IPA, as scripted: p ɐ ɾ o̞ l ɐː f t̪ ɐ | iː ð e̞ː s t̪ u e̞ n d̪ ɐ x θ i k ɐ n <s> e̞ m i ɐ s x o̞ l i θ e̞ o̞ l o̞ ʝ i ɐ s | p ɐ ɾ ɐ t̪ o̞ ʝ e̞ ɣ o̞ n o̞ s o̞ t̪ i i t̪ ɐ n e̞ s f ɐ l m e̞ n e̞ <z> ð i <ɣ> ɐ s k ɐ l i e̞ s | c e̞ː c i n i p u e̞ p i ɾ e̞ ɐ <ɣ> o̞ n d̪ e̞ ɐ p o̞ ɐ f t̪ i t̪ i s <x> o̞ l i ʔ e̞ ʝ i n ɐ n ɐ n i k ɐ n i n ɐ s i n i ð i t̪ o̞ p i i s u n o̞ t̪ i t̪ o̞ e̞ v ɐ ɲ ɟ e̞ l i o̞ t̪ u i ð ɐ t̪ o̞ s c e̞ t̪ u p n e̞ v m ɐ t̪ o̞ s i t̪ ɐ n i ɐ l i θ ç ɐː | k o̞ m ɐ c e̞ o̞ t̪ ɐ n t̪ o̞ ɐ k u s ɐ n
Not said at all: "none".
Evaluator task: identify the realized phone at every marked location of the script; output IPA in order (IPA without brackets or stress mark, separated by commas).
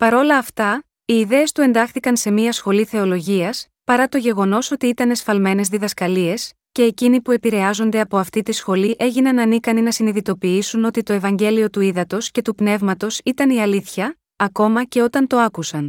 s, z, ð, z, x